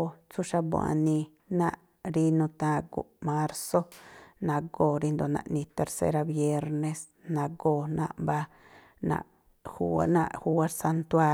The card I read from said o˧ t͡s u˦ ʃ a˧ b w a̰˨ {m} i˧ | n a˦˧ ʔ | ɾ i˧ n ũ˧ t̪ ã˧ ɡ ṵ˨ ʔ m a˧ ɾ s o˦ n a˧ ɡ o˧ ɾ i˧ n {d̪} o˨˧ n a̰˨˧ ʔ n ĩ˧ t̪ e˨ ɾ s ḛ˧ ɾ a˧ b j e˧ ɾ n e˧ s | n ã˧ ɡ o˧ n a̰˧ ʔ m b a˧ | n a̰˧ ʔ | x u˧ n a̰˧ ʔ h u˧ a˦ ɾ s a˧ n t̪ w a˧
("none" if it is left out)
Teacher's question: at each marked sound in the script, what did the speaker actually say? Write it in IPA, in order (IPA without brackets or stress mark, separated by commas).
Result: n, d̪